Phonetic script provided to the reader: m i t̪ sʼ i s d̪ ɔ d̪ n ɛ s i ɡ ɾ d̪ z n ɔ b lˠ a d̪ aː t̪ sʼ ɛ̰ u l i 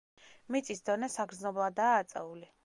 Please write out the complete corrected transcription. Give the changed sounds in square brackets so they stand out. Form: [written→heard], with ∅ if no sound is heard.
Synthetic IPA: m i t̪ sʼ i s d̪ ɔ [d̪→∅] n ɛ s [i→a] ɡ ɾ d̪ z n ɔ b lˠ a d̪ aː t̪ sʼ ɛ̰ u l i